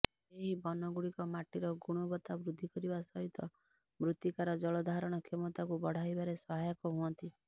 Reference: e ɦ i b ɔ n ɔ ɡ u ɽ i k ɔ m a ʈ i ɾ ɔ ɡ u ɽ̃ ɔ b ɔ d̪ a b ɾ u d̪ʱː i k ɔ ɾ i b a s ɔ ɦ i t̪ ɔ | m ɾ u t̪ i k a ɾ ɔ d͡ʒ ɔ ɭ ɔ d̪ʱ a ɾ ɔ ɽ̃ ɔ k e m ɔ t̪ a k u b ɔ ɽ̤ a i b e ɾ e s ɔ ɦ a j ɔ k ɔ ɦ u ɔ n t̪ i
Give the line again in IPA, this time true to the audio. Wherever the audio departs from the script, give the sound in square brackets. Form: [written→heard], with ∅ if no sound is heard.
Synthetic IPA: e ɦ i b ɔ n ɔ ɡ u ɽ i k ɔ m a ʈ i ɾ ɔ ɡ u ɽ̃ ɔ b ɔ [d̪→t̪] a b ɾ u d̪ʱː i k ɔ ɾ i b a s ɔ ɦ i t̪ ɔ | m ɾ u t̪ i k a ɾ ɔ d͡ʒ ɔ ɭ ɔ d̪ʱ a ɾ ɔ ɽ̃ ɔ [k→kʰ] e m ɔ t̪ a k u b ɔ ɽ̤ a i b [e→a] ɾ e s ɔ ɦ a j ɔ k ɔ ɦ u ɔ n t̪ i